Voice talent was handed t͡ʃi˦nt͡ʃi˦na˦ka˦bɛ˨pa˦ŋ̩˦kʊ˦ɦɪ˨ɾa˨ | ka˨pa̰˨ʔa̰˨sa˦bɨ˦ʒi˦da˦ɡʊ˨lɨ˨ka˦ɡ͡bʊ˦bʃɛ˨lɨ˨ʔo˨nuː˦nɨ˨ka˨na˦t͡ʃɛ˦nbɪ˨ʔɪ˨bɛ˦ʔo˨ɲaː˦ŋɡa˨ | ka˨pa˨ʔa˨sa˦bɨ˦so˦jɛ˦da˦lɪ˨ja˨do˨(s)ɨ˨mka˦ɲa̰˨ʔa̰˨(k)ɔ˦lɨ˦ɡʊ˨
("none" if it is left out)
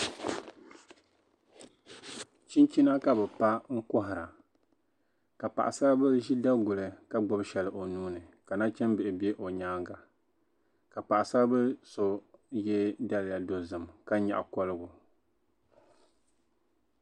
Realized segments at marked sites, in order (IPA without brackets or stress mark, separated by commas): z, k